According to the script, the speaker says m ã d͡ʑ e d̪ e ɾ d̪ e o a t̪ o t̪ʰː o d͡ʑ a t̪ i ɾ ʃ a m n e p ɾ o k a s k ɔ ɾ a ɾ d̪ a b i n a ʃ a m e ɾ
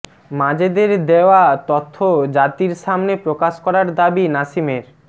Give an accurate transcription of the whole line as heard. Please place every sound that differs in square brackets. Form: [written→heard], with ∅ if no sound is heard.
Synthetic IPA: m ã d͡ʑ e d̪ e ɾ d̪ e o a t̪ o t̪ʰː o d͡ʑ a t̪ i ɾ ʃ a m n e p ɾ o k a [s→ʃ] k ɔ ɾ a ɾ d̪ a b i n a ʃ [a→i] m e ɾ